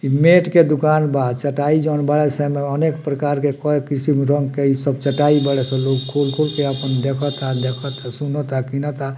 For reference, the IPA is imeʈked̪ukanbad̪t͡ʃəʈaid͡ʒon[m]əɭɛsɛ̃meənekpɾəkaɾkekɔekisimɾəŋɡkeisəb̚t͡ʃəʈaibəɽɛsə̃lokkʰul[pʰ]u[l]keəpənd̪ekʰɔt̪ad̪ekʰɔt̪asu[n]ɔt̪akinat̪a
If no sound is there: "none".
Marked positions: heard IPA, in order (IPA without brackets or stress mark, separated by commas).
b, kʰ, l, n